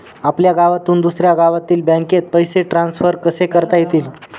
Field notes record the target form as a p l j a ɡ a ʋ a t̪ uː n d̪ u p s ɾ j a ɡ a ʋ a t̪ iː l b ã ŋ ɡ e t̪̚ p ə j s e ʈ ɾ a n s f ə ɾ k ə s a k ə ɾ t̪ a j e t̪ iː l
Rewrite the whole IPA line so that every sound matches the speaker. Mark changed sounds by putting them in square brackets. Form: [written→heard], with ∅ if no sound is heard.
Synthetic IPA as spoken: a p l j a ɡ a ʋ a t̪ uː n d̪ u [p→∅] s ɾ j a ɡ a ʋ a t̪ iː l b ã ŋ [ɡ→k] e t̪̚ p ə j s e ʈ ɾ a n s f ə ɾ k ə s [a→e] k ə ɾ t̪ a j e t̪ iː l